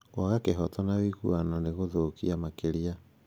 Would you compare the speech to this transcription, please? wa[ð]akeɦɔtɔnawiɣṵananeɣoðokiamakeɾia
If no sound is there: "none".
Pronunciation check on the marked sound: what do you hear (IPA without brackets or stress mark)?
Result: ɣ